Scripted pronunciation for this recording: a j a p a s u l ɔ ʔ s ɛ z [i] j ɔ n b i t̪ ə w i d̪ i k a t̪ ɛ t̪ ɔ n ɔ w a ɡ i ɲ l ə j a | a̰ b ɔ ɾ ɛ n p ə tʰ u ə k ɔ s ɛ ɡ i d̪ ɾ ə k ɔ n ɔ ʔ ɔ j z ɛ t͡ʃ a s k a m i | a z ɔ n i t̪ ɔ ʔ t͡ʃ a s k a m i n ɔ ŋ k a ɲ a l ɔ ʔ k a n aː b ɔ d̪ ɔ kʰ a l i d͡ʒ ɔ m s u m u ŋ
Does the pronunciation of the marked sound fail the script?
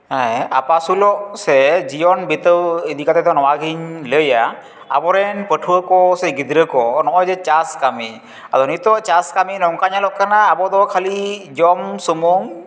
no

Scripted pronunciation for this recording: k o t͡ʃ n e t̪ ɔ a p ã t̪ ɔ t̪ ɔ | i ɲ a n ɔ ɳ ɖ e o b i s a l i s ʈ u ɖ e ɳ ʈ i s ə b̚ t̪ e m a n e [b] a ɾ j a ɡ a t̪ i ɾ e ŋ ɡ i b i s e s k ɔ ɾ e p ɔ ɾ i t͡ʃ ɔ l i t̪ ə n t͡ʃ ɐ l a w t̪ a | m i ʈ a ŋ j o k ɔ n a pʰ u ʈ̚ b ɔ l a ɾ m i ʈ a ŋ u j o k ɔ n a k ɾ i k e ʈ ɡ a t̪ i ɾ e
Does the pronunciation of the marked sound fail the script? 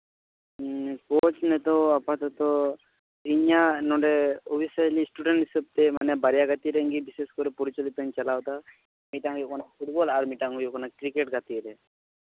no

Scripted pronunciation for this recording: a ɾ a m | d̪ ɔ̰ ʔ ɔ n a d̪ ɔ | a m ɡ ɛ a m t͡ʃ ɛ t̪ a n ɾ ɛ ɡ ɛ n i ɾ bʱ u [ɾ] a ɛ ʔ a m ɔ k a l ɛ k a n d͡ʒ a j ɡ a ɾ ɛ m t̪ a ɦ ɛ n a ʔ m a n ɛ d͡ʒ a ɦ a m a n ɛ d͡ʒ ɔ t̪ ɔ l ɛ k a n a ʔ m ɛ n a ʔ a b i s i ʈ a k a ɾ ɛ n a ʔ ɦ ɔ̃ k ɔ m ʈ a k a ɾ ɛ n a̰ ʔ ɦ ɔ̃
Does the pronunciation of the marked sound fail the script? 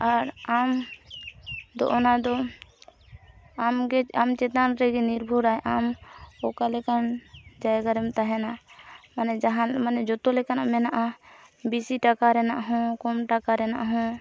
no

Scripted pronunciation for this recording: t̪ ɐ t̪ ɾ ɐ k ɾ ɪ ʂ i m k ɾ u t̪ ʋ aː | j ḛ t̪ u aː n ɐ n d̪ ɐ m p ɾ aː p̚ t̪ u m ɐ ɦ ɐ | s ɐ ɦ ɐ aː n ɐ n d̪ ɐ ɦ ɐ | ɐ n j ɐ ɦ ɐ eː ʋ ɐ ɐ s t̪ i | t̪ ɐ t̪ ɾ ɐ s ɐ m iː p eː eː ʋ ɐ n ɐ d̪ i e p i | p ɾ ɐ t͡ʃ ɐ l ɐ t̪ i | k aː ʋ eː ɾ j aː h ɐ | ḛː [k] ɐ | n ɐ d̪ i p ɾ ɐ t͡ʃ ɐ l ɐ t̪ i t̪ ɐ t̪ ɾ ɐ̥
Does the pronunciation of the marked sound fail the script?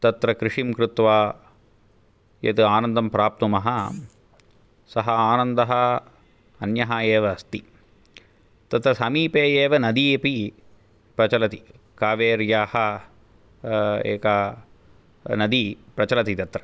no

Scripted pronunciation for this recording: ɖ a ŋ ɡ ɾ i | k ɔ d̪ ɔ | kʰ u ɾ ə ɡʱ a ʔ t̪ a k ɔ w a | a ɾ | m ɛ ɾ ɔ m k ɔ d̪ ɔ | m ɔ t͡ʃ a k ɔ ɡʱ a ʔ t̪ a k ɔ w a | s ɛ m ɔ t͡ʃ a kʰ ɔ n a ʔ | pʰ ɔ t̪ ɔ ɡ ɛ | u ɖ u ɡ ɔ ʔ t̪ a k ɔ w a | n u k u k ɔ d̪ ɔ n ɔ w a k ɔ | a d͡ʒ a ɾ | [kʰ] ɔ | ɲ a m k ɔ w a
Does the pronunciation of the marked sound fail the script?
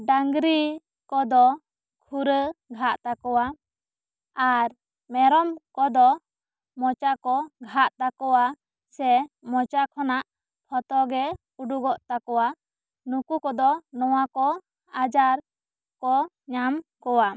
yes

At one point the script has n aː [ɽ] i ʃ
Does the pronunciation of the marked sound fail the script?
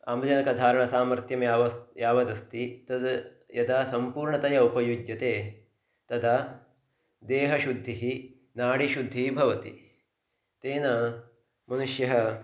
no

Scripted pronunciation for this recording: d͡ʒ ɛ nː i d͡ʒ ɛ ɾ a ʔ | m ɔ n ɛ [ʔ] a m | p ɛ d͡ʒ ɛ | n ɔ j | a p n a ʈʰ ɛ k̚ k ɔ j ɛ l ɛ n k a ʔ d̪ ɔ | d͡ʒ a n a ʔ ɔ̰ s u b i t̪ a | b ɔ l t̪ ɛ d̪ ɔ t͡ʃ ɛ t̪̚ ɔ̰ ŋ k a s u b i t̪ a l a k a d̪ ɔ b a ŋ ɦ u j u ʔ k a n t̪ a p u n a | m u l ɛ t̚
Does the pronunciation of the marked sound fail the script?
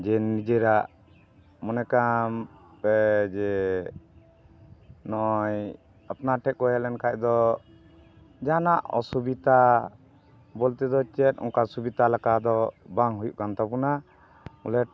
yes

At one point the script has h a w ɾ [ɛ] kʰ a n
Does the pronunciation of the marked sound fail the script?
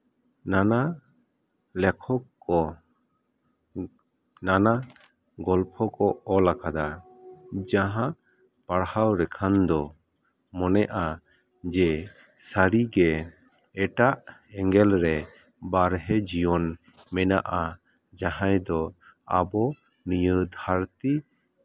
no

